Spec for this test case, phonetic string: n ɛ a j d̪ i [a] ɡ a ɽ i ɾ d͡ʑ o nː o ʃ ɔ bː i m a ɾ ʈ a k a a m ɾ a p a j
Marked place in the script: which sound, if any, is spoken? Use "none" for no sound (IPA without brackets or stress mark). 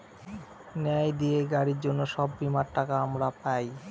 e